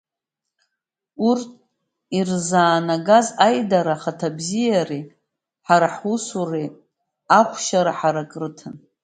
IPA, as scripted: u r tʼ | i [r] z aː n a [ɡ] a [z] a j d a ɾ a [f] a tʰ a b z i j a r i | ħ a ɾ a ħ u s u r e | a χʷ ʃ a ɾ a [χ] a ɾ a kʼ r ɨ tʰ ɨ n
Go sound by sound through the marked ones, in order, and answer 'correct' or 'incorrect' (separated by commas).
correct, correct, correct, incorrect, incorrect